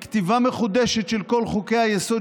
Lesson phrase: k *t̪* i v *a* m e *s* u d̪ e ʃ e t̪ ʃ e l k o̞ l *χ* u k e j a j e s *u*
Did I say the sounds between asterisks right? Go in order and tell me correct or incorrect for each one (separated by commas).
correct, correct, incorrect, correct, incorrect